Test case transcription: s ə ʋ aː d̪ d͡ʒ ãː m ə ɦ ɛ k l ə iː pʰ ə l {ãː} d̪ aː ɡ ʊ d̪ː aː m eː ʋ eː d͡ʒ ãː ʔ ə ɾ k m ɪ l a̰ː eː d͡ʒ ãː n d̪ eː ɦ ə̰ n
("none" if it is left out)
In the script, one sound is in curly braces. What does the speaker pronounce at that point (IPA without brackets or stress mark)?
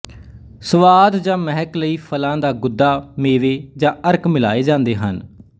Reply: ãː